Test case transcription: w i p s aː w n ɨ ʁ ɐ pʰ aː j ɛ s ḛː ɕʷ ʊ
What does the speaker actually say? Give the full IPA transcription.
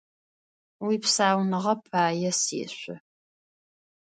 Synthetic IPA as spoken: w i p s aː w n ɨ ʁ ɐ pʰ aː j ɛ s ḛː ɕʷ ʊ